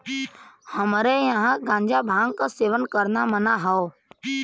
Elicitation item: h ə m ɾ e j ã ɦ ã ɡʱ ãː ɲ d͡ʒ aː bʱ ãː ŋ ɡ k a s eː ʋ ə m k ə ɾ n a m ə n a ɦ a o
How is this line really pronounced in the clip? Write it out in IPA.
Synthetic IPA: h ə m ɾ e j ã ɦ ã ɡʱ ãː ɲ d͡ʒ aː bʱ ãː ŋ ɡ k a s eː ʋ ə n k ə ɾ n a m ə n a ɦ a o